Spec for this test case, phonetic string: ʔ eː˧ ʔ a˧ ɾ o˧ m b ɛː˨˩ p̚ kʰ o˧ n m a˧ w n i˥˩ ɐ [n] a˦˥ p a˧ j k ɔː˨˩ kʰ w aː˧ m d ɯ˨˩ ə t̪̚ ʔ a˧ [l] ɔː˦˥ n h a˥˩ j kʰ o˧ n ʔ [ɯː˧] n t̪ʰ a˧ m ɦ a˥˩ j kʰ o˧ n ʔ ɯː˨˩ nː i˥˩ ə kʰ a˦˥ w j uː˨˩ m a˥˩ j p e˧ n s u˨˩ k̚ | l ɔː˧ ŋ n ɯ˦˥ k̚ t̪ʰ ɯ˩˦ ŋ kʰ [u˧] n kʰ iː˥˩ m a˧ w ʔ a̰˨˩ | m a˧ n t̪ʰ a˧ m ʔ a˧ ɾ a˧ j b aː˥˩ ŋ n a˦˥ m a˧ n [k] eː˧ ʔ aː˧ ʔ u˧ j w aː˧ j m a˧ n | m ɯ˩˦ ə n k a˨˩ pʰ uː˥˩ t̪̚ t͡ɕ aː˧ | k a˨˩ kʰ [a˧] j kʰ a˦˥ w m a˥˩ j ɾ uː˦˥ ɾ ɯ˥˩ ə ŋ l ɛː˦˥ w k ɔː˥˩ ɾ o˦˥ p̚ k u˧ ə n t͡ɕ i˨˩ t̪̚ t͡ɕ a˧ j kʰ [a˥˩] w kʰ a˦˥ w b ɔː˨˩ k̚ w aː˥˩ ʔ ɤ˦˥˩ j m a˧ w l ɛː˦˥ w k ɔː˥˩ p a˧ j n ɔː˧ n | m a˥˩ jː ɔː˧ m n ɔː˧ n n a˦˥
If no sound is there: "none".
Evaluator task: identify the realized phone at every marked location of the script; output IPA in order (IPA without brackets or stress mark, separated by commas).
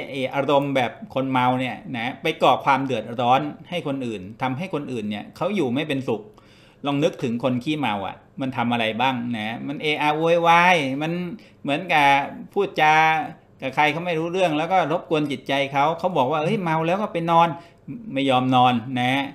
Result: n, ɾ, ɯː˨˩, o˧, ʔ, a˧, a˦˥